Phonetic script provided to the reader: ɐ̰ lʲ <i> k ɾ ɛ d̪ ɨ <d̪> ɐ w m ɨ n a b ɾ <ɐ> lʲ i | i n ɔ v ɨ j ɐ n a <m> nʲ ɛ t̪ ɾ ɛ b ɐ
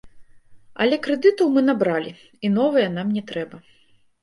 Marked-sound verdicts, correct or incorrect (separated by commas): incorrect, incorrect, incorrect, correct